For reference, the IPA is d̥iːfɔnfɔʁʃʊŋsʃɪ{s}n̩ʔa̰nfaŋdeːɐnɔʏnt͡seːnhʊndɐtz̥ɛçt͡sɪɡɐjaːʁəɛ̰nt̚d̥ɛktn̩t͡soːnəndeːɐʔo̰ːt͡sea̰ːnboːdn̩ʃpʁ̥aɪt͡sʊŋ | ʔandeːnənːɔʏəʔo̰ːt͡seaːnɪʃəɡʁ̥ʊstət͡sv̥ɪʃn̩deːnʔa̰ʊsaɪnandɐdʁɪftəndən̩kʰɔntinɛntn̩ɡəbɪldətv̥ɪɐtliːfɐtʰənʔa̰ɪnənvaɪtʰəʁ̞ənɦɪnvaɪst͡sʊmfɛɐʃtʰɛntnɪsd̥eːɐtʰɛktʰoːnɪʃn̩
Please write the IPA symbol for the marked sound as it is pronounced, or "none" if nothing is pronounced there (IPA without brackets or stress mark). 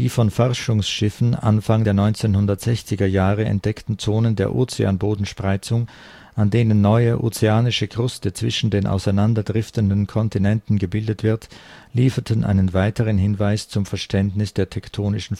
f